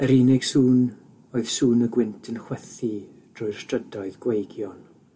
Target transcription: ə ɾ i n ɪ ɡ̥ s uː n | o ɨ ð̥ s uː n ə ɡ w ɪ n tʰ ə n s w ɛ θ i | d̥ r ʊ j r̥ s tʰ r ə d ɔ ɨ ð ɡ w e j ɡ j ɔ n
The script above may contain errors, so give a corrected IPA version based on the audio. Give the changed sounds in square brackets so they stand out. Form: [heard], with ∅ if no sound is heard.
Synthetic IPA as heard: ə ɾ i n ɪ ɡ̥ s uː n | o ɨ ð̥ s uː n ə ɡ w ɪ n tʰ ə n [χ] w ɛ θ i | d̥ r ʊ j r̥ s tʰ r ə d ɔ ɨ ð ɡ w e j ɡ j ɔ n